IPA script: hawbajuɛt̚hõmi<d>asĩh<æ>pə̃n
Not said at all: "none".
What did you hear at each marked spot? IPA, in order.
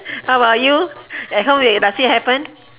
d, ɛ

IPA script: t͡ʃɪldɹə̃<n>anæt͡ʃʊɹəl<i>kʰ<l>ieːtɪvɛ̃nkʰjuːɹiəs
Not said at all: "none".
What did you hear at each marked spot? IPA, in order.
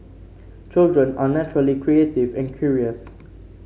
n, i, ɹ

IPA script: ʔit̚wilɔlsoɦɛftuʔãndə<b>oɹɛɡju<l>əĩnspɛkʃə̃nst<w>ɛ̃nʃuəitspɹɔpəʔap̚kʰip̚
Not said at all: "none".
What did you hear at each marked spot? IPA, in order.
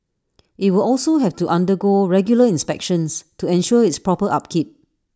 ɡ, l, u

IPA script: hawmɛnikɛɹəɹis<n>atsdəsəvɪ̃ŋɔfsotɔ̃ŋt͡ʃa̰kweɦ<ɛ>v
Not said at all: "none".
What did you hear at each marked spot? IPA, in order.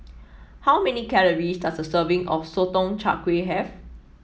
d, ɛ

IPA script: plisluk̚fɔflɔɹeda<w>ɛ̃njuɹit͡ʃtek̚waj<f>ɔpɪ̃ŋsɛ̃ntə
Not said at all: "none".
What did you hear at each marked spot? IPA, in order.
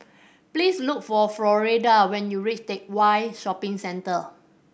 w, ʃ

